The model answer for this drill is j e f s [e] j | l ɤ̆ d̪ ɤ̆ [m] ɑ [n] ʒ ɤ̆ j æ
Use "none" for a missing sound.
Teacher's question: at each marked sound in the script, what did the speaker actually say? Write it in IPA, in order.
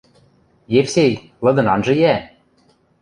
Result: e, n, n

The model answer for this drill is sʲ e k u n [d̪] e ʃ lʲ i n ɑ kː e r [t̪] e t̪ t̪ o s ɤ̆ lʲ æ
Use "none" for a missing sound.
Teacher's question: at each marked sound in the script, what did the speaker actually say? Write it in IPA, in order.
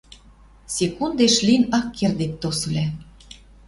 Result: d̪, d̪

